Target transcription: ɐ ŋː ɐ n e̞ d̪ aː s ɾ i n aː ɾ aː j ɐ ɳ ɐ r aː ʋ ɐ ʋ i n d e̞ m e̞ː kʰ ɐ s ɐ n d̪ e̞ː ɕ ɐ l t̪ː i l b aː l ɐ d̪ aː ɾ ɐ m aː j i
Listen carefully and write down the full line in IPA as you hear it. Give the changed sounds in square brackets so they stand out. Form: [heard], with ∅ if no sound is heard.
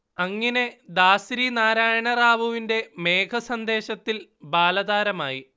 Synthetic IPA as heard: ɐ ŋː ɐ n e̞ d̪ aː s ɾ i n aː ɾ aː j ɐ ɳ ɐ r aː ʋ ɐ ʋ i n d e̞ m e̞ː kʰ ɐ s ɐ n d̪ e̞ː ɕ ɐ [∅] t̪ː i l b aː l ɐ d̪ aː ɾ ɐ m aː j i